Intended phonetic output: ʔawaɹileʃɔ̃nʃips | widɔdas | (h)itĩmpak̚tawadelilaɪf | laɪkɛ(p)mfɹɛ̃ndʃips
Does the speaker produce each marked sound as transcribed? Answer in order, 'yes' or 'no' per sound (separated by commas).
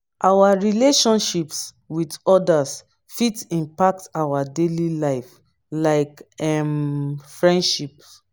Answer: no, no